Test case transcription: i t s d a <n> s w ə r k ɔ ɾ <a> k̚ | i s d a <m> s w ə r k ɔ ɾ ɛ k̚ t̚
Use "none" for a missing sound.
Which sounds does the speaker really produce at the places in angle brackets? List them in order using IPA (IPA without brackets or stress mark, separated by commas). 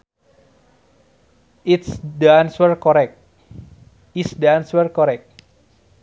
n, ɛ, n